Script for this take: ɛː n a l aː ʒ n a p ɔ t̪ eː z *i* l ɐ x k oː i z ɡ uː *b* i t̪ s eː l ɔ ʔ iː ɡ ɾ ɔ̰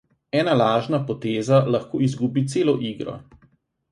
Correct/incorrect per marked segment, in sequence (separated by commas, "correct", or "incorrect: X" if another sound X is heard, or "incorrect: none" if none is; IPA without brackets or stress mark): incorrect: a, correct